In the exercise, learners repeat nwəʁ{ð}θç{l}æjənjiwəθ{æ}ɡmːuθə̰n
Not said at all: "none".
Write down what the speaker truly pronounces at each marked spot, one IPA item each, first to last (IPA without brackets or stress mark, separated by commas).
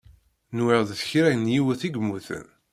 ð, ɾ, i